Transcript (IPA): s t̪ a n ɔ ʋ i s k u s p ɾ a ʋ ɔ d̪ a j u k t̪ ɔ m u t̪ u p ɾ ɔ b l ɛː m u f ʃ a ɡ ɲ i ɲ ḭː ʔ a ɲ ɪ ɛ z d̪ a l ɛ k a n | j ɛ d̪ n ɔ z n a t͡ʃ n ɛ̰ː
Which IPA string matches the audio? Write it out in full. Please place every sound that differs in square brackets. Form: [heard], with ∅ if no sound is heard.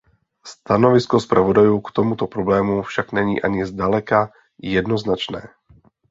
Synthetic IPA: s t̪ a n ɔ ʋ i s k [ɔ] s p ɾ a ʋ ɔ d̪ a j u k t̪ ɔ m u t̪ [ɔ] p ɾ ɔ b l ɛː m u f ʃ a ɡ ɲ [ɛ] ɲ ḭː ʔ a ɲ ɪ ɛ z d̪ a l ɛ k a [∅] | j ɛ d̪ n ɔ z n a t͡ʃ n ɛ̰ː